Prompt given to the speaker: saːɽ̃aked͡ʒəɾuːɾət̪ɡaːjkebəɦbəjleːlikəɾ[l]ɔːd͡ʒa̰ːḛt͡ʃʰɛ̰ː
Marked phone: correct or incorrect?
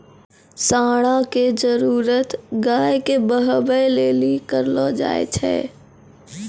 correct